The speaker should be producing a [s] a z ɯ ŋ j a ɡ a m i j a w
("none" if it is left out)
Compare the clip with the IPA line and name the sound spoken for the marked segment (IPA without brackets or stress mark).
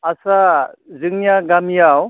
s